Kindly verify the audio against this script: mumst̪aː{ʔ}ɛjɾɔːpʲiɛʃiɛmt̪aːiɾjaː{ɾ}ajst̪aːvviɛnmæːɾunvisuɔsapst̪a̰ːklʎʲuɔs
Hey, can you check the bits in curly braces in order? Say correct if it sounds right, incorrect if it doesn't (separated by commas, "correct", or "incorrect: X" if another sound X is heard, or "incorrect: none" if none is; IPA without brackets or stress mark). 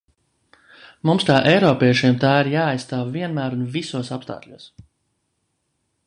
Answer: correct, incorrect: none